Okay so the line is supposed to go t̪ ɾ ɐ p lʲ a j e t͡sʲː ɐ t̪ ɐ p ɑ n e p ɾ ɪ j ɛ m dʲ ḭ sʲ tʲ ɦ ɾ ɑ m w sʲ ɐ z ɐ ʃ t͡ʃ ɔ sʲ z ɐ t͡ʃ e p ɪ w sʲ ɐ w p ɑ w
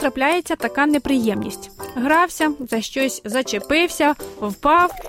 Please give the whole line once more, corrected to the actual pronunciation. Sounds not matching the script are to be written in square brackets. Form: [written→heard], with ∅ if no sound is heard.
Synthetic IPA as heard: t̪ ɾ ɐ p lʲ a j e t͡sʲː ɐ t̪ ɐ [p→k] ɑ n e p ɾ ɪ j ɛ m [dʲ→nʲ] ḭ sʲ tʲ ɦ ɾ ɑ [m→∅] w sʲ ɐ z ɐ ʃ t͡ʃ ɔ sʲ z ɐ t͡ʃ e p ɪ w sʲ ɐ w p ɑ w